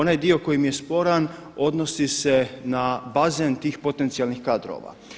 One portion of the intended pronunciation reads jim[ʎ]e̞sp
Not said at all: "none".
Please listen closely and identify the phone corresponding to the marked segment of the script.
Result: j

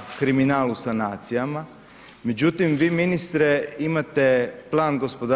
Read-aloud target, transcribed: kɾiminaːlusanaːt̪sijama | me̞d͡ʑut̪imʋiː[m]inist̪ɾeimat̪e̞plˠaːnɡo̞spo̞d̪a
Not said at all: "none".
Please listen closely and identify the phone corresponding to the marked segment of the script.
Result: m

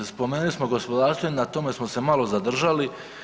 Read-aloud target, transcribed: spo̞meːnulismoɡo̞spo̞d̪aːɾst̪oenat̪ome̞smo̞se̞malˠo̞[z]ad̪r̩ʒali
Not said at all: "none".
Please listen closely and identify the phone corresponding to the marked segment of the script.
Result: z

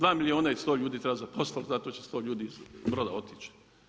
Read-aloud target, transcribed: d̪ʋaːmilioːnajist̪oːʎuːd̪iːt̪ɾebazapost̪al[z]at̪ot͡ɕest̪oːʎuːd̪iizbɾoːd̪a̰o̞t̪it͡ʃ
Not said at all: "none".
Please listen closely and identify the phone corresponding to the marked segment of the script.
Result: z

